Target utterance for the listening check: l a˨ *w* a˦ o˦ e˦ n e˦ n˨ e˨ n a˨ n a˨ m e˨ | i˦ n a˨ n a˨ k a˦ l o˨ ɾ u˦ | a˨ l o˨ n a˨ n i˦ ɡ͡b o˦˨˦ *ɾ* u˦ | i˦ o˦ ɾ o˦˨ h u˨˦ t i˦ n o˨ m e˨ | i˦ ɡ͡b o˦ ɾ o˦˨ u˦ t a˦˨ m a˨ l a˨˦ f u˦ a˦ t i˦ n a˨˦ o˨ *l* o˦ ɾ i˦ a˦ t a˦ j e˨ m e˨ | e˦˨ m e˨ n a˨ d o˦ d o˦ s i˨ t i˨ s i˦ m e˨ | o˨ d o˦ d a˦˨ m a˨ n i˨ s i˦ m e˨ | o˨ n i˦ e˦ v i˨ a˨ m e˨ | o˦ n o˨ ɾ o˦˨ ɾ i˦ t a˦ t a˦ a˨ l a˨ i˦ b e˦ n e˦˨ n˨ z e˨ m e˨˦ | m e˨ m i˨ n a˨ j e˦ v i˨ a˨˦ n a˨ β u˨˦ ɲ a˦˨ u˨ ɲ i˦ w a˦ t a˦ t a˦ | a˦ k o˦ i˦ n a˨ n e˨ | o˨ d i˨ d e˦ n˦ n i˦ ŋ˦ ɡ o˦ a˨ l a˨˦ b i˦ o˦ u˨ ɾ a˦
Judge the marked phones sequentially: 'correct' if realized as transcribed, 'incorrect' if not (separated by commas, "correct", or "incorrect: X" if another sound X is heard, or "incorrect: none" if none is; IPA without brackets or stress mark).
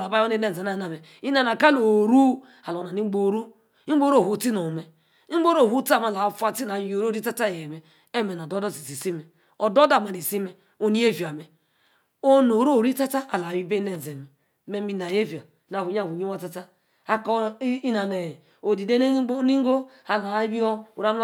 incorrect: b, correct, incorrect: ɾ